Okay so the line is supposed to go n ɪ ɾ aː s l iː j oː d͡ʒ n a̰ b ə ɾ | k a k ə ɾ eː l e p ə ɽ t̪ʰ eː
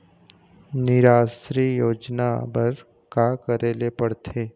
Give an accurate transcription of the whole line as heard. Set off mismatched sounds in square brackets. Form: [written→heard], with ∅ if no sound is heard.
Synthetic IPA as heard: n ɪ ɾ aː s [l→ɾ] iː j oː d͡ʒ n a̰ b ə ɾ | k a k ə ɾ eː l e p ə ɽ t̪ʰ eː